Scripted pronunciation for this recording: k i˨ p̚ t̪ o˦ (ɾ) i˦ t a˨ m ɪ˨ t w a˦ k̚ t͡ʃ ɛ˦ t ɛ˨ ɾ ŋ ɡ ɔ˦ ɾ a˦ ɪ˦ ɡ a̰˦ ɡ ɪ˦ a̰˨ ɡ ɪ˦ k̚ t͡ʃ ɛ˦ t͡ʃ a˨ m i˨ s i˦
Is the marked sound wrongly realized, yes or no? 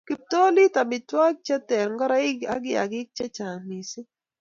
yes